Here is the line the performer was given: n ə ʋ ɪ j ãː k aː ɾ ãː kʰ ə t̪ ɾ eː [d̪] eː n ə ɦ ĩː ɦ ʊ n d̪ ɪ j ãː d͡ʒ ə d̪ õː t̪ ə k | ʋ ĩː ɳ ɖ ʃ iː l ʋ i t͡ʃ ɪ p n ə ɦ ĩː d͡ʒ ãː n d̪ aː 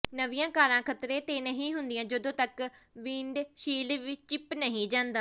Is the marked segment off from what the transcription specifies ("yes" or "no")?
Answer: yes